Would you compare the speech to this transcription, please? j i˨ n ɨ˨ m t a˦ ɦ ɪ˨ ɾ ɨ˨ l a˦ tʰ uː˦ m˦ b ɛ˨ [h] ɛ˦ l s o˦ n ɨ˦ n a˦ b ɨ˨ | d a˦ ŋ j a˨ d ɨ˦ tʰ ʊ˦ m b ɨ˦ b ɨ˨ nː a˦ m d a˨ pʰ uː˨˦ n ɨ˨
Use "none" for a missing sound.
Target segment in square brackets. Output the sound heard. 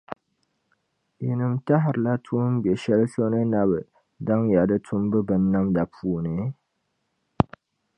ʃ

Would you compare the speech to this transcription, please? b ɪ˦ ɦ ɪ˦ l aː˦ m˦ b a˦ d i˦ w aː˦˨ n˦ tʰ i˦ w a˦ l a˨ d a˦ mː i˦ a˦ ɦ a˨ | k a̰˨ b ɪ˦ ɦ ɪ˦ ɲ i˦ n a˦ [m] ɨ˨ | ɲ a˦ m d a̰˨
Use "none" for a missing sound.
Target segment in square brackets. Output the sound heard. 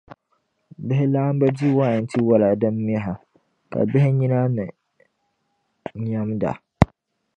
n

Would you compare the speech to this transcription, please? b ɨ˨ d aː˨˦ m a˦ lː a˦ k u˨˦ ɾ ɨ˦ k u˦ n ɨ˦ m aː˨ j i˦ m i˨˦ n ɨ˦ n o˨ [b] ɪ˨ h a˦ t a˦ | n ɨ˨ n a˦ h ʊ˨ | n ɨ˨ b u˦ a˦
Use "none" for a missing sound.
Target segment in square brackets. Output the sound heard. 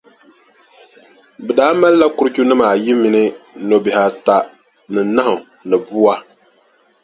b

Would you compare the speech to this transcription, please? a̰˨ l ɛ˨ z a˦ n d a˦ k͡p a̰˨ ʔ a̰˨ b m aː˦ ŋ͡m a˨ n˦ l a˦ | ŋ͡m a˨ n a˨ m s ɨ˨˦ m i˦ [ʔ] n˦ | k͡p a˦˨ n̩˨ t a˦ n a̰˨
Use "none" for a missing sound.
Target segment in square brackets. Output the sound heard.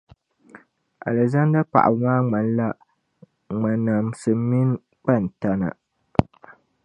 none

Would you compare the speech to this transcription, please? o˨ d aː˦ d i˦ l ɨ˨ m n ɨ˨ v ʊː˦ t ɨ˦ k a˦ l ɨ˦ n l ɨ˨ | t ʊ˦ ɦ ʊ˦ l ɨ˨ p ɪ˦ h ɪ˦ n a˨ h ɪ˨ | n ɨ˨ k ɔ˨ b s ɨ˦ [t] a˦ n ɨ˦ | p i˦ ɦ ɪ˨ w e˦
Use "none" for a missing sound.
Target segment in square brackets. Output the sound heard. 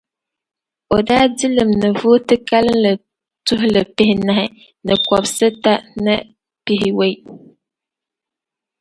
t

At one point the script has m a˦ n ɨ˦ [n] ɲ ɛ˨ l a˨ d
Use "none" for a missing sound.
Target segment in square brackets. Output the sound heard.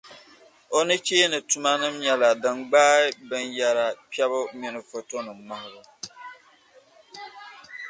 m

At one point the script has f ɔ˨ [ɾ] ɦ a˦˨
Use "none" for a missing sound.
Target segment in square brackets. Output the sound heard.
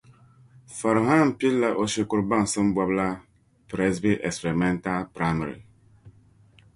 ɾ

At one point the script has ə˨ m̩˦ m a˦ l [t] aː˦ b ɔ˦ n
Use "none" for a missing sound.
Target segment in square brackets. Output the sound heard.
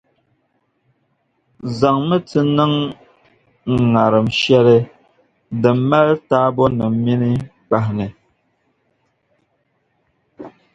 t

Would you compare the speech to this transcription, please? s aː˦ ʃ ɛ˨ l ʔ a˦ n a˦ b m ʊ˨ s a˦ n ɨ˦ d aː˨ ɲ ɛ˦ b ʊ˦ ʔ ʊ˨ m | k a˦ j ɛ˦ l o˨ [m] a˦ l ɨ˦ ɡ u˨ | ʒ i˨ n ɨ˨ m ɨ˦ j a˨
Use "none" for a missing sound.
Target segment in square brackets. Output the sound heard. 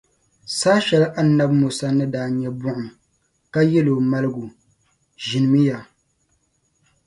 m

